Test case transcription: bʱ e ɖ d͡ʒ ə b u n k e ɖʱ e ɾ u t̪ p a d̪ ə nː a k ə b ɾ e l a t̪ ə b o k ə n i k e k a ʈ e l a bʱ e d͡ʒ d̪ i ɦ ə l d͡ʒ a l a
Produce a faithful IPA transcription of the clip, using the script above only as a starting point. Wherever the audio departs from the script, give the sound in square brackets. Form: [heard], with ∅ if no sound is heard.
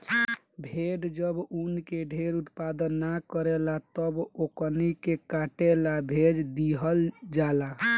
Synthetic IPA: bʱ e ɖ d͡ʒ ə b u n k e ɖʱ e ɾ u t̪ p a d̪ ə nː a k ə [∅] ɾ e l a t̪ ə b o k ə n i k e k a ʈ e l a bʱ e d͡ʒ d̪ i ɦ ə l d͡ʒ a l a